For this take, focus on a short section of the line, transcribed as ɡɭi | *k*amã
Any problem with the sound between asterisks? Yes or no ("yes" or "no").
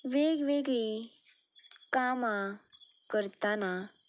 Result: no